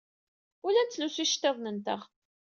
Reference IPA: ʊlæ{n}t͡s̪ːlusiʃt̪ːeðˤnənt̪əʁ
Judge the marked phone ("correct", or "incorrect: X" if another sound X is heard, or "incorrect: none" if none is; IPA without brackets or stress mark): correct